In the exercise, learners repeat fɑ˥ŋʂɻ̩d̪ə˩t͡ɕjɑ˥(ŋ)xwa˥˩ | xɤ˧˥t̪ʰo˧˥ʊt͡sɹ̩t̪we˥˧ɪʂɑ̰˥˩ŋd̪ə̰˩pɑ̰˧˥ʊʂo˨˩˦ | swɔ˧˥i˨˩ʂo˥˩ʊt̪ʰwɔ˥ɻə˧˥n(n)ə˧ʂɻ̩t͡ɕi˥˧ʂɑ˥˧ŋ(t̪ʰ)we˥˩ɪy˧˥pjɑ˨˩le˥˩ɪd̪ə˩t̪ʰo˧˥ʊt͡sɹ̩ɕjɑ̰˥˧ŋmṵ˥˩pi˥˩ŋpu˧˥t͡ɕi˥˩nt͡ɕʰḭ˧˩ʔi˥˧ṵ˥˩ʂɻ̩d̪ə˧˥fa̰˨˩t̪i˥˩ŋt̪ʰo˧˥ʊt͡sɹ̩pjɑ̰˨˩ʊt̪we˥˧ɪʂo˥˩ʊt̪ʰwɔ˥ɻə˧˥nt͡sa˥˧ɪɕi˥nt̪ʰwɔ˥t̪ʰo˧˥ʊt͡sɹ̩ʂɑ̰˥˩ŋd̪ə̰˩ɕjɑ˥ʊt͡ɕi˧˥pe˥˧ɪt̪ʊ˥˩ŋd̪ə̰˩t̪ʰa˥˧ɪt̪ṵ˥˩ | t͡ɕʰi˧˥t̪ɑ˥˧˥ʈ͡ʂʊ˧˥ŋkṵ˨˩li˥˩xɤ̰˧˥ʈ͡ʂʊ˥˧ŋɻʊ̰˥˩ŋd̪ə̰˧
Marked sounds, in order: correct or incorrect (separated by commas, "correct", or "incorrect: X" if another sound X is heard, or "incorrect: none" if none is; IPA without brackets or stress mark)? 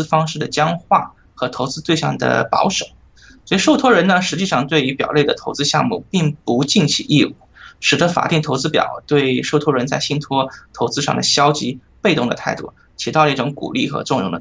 correct, correct, incorrect: t̪